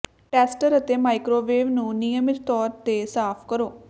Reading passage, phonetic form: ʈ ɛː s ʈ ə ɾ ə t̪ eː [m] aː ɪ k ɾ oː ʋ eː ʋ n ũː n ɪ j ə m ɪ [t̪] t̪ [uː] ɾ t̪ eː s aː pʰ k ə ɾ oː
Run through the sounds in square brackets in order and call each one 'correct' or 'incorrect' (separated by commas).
correct, correct, incorrect